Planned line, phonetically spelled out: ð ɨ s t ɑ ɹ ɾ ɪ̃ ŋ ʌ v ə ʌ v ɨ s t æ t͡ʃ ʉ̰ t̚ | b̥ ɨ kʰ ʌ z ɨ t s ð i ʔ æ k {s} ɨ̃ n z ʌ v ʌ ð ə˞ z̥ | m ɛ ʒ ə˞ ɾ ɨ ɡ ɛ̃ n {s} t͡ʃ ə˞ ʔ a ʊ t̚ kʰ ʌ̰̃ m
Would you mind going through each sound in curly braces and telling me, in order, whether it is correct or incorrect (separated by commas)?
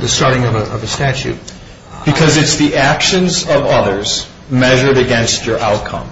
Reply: incorrect, correct